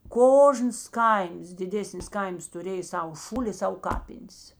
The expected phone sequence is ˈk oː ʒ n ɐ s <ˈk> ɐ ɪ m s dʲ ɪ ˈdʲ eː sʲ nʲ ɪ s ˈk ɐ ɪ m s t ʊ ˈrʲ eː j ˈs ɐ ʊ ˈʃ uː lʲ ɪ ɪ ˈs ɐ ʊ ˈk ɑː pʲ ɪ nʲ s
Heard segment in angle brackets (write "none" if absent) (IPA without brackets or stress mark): k